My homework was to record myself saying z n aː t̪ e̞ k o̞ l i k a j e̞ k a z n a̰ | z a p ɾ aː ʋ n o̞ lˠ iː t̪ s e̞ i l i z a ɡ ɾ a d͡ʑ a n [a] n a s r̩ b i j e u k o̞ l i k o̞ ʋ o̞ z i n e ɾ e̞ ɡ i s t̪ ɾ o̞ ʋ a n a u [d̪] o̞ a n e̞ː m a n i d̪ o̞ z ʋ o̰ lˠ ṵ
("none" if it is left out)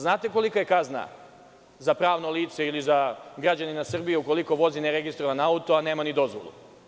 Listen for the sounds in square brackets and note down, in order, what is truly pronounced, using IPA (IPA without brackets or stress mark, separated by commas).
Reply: i, t̪